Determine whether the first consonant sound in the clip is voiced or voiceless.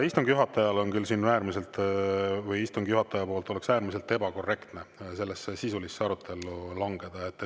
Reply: voiceless